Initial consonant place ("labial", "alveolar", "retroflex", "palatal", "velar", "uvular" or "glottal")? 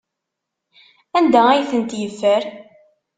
alveolar